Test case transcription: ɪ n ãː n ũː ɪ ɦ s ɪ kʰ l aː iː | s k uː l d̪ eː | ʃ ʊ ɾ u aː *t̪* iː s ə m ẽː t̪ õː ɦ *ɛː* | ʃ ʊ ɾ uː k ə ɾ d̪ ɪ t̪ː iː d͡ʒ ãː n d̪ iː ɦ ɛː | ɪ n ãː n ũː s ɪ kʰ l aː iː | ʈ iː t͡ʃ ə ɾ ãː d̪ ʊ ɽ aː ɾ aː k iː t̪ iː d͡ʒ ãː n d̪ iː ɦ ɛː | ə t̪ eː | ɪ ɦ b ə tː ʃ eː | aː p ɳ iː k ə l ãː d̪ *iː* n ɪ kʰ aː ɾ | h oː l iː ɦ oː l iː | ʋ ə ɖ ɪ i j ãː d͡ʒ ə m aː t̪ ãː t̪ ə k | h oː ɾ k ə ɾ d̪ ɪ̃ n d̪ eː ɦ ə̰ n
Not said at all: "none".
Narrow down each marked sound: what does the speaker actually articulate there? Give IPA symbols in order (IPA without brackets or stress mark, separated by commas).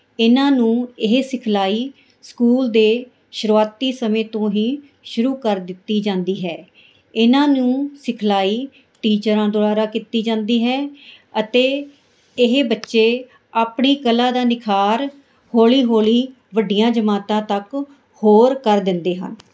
t̪, iː, aː